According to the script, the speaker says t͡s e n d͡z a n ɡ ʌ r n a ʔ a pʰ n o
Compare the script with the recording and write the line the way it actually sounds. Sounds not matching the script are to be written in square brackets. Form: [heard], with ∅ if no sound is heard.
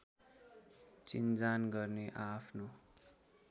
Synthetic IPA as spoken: t͡s [i] n d͡z a n ɡ ʌ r n [e] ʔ a pʰ n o